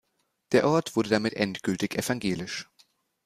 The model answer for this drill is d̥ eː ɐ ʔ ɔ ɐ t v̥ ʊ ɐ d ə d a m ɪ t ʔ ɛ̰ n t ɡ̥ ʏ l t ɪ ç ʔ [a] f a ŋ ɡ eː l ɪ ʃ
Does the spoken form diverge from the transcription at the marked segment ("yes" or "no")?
yes